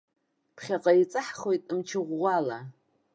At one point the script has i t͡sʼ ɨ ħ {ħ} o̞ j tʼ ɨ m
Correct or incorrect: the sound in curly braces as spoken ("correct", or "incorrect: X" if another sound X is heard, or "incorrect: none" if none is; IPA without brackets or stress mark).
incorrect: χ